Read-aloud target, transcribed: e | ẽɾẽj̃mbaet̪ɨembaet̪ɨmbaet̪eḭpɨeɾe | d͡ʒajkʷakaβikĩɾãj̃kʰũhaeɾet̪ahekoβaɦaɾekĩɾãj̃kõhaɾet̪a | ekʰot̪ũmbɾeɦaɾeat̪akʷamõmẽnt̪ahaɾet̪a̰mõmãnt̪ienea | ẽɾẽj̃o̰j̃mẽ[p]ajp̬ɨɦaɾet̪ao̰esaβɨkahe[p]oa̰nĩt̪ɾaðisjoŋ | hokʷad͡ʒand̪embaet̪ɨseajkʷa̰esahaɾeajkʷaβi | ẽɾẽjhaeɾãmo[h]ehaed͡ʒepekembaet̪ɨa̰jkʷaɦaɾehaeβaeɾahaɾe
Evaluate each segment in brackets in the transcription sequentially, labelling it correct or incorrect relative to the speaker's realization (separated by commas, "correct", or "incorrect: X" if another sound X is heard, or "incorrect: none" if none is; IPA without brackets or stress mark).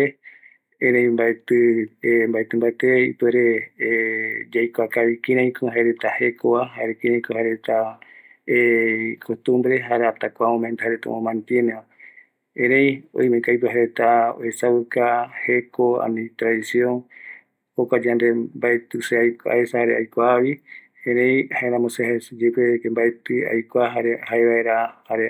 incorrect: k, incorrect: k, incorrect: s